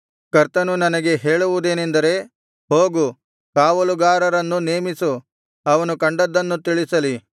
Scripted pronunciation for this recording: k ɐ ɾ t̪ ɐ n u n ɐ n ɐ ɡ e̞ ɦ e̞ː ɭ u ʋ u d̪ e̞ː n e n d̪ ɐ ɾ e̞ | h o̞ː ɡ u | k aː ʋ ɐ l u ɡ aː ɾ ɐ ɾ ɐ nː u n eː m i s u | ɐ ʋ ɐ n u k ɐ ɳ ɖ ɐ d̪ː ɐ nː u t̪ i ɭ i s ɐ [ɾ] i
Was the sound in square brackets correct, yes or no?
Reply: no